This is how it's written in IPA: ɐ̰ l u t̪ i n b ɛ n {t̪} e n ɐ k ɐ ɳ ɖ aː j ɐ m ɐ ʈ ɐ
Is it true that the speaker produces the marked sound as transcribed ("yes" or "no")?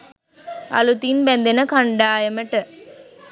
no